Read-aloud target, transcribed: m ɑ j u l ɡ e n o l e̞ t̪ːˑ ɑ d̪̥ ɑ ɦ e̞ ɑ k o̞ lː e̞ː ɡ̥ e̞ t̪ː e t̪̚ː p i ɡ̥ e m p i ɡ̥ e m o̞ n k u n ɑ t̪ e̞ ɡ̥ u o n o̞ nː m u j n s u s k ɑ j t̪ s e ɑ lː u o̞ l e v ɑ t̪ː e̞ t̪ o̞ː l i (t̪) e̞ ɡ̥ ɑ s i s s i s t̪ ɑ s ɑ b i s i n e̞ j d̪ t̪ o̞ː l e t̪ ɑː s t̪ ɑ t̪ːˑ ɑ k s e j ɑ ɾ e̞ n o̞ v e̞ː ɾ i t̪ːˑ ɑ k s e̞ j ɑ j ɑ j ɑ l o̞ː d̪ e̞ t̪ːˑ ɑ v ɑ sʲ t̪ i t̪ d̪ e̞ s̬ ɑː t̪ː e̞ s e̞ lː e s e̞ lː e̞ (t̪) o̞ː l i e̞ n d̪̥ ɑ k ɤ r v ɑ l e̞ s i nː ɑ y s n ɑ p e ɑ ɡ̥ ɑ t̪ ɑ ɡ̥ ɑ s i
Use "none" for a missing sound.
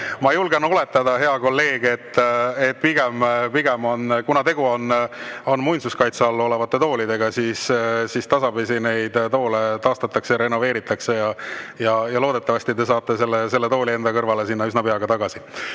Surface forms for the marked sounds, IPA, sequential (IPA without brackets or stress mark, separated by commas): d̪, t̪